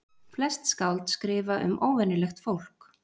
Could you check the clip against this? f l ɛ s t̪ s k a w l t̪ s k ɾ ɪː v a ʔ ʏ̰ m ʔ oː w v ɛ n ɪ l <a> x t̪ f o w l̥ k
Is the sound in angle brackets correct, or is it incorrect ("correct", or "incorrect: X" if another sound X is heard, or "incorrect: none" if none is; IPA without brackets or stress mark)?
incorrect: ɛ